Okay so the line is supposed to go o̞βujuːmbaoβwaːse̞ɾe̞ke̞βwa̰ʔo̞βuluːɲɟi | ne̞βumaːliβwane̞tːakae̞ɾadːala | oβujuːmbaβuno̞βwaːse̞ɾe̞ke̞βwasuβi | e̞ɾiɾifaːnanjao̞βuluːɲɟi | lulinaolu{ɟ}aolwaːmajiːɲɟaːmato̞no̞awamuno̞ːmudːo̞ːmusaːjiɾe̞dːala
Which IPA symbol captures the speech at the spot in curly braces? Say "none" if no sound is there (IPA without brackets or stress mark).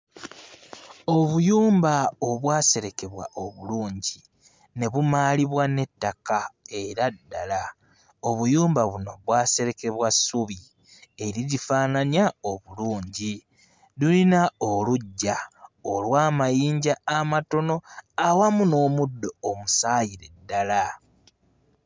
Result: ɟː